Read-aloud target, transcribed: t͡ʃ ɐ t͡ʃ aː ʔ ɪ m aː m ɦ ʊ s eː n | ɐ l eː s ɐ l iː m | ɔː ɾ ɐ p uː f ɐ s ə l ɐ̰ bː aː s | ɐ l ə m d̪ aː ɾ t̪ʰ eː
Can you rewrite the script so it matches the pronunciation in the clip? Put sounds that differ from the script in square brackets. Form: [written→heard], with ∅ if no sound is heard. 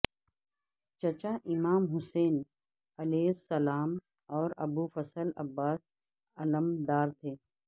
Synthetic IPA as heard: t͡ʃ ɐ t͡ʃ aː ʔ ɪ m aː m ɦ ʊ s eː n | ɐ l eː s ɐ l [iː→aː] m | ɔː ɾ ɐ [p→b] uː f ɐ s ə l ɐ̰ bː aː s | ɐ l ə m d̪ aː ɾ t̪ʰ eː

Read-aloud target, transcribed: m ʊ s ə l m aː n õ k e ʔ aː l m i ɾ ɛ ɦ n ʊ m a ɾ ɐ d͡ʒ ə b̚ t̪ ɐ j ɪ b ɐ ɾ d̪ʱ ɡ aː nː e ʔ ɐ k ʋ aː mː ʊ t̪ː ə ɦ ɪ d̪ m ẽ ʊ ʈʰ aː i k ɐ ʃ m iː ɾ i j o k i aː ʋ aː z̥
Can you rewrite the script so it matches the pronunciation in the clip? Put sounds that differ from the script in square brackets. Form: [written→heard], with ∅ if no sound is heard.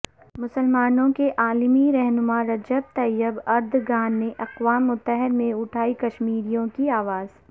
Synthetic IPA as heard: m ʊ s ə l m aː n õ k e ʔ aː l m i ɾ ɛ ɦ n ʊ m a ɾ ɐ d͡ʒ ə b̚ t̪ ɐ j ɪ b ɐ ɾ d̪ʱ ɡ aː nː e ʔ ɐ [k→q] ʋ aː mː ʊ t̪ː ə ɦ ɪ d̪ m ẽ ʊ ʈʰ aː i k ɐ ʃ m iː ɾ i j [o→õ] k i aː ʋ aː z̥

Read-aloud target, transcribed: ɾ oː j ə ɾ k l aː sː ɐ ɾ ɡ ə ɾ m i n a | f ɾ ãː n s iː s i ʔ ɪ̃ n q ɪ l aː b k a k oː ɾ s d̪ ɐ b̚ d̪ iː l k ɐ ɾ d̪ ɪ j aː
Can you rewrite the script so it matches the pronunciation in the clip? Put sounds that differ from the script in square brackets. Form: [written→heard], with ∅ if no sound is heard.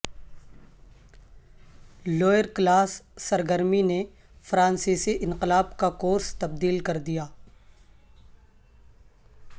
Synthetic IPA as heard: [ɾ→l] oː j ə ɾ k l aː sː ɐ ɾ ɡ ə ɾ m i n [a→e] | f ɾ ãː n s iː s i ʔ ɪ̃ n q ɪ l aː b k a k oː ɾ s [d̪→t̪] ɐ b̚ d̪ iː l k ɐ ɾ d̪ [ɪ→i] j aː

